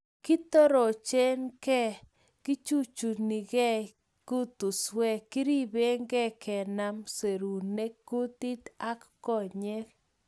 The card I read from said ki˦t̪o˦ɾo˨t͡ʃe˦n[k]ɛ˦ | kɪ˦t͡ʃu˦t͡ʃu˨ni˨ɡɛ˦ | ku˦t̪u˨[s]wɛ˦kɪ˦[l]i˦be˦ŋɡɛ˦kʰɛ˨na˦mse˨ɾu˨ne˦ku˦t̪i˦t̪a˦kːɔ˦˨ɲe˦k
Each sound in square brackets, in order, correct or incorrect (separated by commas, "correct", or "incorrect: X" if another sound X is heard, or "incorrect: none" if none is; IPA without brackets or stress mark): correct, correct, incorrect: ɾ